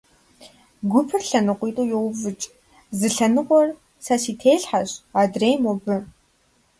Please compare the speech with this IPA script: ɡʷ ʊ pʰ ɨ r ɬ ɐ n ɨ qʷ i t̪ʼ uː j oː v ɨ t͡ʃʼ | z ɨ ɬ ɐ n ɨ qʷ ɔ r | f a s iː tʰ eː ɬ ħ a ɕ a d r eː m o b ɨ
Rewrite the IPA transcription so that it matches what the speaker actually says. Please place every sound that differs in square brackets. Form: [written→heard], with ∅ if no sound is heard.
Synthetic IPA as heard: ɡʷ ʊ pʰ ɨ r ɬ ɐ n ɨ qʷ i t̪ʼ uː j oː v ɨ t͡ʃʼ | z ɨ ɬ ɐ n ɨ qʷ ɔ r | [f→s] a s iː tʰ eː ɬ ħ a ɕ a d r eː m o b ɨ